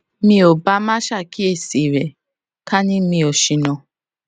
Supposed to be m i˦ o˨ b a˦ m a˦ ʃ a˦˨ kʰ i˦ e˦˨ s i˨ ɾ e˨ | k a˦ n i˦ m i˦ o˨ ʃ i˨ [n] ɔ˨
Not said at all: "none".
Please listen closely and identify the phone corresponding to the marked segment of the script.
n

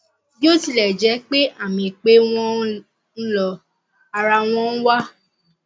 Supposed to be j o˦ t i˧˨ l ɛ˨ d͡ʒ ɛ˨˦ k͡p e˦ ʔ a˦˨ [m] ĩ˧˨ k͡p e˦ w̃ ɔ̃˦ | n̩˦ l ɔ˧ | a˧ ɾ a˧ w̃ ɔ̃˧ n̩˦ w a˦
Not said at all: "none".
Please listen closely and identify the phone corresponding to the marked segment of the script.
m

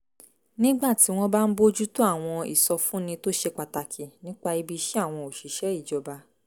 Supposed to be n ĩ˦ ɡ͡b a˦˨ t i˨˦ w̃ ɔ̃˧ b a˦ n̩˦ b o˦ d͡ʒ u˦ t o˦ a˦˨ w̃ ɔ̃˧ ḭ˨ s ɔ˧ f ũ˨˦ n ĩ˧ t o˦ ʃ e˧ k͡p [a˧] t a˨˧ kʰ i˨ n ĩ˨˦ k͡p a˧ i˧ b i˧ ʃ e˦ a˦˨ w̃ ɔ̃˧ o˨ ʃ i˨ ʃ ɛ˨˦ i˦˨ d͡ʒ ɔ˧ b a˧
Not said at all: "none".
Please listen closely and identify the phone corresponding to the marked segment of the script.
a˧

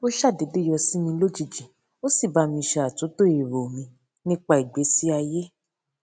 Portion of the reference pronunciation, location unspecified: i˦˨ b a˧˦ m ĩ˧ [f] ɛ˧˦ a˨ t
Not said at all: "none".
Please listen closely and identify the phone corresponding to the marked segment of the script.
ʃ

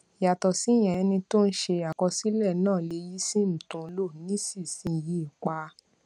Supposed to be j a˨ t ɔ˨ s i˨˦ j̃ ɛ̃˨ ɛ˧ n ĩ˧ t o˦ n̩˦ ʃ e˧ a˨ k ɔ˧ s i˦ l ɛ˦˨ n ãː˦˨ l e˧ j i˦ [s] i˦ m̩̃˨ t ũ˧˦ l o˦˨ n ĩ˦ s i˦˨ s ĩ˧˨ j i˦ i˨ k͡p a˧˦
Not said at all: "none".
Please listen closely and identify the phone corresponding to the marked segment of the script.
s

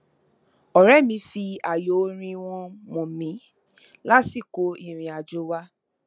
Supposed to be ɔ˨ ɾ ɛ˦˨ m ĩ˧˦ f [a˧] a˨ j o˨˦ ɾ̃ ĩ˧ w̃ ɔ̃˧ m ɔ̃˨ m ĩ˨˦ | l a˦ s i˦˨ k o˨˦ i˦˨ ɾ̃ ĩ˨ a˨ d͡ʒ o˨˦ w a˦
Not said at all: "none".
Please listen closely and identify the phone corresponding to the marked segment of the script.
i˧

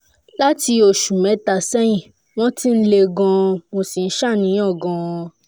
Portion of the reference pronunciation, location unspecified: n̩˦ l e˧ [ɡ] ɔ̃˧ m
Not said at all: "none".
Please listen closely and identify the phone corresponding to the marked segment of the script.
ɡ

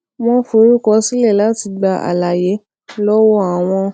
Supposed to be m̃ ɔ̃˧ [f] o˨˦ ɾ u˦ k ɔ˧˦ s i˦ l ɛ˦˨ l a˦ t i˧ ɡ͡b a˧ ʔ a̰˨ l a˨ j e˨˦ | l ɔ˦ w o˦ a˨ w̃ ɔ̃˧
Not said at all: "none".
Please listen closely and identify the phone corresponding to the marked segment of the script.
f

